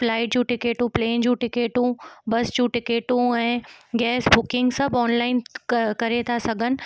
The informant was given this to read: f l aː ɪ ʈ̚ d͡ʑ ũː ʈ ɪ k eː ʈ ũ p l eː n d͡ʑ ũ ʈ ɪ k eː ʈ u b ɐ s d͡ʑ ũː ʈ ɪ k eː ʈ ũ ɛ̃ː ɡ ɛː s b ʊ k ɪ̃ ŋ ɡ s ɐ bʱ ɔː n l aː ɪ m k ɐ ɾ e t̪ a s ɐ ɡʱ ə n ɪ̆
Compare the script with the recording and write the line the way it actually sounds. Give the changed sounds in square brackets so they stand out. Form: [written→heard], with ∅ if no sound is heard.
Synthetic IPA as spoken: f l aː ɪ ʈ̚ d͡ʑ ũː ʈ ɪ k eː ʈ ũ p l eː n d͡ʑ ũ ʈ ɪ k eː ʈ [u→ũ] b ɐ s d͡ʑ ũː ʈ ɪ k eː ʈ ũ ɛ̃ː ɡ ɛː s b ʊ k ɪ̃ ŋ ɡ s ɐ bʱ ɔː n l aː ɪ [m→n] k ɐ ɾ e [t̪→t̪ʰ] a s ɐ ɡʱ ə n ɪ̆